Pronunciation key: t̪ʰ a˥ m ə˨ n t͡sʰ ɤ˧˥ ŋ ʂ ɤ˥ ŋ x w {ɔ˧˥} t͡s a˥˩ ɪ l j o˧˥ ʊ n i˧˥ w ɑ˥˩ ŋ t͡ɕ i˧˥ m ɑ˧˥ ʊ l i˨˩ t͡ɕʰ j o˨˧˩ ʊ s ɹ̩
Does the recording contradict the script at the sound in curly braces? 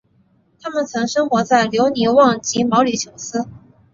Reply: no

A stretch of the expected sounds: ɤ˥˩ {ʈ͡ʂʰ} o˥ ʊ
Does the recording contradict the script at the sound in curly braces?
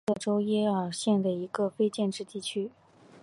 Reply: yes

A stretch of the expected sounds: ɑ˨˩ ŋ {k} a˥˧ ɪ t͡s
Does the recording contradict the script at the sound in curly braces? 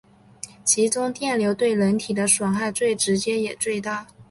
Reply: yes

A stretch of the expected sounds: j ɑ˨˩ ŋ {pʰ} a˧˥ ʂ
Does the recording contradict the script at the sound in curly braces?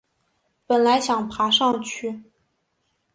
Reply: no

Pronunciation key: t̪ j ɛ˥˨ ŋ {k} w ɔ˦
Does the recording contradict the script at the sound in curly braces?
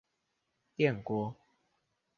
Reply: no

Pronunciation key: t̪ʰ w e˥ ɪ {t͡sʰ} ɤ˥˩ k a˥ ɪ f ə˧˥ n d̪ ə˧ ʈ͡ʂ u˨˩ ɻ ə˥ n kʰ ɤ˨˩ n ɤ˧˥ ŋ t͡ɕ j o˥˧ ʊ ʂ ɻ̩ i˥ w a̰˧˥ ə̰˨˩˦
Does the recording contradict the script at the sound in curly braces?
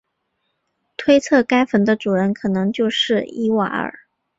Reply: no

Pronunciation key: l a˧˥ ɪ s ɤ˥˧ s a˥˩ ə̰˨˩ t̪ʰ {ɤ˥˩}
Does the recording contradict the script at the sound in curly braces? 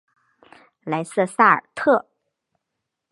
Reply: no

